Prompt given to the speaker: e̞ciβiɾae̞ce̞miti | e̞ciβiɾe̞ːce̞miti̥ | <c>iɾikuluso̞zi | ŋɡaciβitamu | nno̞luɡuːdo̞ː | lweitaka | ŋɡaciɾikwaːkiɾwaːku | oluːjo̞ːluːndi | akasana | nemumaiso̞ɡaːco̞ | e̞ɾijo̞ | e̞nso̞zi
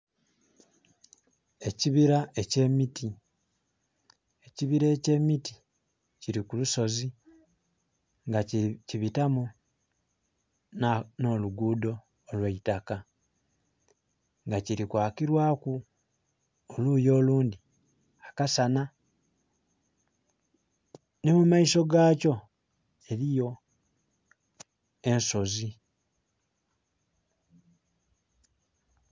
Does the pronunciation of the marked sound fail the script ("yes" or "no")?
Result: no